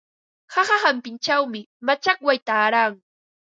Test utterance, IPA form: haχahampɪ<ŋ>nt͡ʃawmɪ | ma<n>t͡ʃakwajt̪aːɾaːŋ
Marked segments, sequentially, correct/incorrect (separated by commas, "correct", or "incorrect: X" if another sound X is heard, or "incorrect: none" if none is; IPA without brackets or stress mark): incorrect: none, incorrect: none